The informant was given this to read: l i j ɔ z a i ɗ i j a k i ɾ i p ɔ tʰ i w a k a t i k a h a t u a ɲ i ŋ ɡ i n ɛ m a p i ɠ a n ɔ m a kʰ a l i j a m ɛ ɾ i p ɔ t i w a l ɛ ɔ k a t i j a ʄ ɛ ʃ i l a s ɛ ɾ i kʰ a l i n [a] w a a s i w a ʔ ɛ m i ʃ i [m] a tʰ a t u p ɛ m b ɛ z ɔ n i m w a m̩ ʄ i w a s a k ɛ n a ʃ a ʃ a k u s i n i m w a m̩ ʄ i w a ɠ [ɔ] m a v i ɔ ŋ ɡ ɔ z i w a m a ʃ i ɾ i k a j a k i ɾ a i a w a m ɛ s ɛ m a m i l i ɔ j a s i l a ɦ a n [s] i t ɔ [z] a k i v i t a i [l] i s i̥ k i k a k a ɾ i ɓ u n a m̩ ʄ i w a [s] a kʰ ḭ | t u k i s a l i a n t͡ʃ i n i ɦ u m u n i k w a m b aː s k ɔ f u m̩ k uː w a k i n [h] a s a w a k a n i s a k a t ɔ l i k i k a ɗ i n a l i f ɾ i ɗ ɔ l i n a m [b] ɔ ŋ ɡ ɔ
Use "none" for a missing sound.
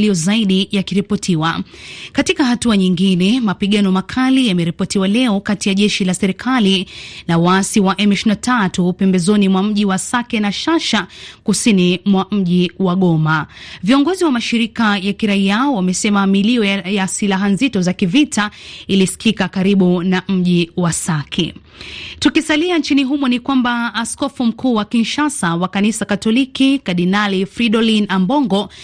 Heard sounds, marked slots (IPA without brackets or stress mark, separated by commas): a, n, ɔ, z, z, l, s, ʃ, b